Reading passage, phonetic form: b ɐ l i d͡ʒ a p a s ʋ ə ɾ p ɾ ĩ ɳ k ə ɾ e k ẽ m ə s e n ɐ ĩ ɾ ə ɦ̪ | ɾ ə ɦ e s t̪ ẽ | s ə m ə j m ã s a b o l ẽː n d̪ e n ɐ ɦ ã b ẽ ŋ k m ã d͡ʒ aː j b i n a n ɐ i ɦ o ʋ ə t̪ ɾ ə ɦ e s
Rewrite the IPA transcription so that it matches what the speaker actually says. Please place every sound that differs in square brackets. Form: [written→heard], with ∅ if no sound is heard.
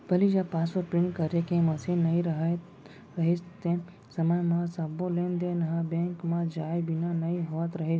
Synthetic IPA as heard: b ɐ l i d͡ʒ a p a s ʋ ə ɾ p ɾ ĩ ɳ k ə ɾ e k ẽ m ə s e n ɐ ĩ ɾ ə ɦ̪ | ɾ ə ɦ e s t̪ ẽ | s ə m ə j m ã s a b o l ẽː n d̪ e n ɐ ɦ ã b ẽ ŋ k m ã d͡ʒ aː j b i n a n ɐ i ɦ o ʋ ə t̪ ɾ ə ɦ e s